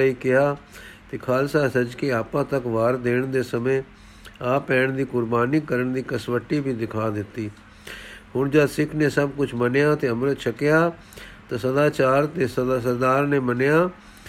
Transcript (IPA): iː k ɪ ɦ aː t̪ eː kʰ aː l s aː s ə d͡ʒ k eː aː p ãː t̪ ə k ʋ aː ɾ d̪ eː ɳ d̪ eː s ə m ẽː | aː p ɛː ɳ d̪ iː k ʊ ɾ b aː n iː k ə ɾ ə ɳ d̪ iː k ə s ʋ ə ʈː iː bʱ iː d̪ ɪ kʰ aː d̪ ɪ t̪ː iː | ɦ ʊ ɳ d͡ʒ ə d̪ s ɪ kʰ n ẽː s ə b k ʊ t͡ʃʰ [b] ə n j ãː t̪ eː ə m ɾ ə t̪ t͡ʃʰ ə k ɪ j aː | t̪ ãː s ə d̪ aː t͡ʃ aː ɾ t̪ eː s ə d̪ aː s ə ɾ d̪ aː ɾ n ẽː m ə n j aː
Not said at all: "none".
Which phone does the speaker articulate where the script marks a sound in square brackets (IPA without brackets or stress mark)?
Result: m